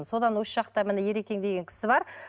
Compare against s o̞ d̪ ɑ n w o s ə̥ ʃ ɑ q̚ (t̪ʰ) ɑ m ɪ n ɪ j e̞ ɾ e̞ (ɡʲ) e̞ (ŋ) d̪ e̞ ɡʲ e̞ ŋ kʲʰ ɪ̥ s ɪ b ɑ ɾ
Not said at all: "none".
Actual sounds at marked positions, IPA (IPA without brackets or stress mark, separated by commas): t̪, kʲ, ŋ